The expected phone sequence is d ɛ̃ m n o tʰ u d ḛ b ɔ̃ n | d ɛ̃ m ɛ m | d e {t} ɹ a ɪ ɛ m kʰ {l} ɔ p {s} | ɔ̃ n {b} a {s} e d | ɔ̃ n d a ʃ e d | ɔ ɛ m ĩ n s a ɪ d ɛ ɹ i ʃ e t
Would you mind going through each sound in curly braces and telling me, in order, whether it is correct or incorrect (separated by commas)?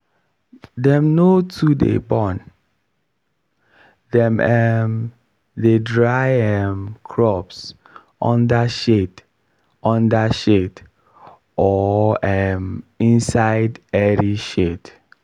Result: incorrect, incorrect, correct, incorrect, incorrect